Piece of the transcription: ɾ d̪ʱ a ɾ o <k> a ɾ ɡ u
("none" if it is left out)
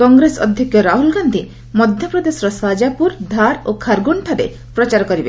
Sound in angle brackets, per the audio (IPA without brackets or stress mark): kʰ